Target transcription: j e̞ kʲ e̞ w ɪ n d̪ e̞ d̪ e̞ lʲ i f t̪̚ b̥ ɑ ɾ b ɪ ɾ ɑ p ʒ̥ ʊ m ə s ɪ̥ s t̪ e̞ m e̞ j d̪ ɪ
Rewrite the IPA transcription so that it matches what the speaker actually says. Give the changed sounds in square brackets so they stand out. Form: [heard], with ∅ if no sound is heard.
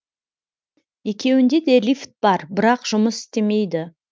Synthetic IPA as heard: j e̞ kʲ e̞ w ɪ n d̪ e̞ d̪ e̞ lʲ i f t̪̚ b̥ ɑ ɾ b ɪ ɾ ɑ [q] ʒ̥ ʊ m ə s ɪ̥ s t̪ e̞ m e̞ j d̪ ɪ